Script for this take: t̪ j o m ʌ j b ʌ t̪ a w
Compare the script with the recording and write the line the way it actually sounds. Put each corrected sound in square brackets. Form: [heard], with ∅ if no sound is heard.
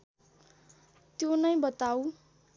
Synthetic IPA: t̪ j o [n] ʌ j b ʌ t̪ a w